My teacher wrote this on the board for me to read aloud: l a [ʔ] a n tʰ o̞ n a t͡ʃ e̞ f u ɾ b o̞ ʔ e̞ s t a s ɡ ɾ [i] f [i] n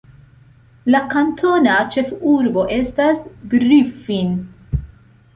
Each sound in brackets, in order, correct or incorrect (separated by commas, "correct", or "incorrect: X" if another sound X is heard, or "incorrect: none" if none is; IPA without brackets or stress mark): incorrect: k, correct, correct